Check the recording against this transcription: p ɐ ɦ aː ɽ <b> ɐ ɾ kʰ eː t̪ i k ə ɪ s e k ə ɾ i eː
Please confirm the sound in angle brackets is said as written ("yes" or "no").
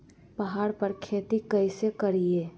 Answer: no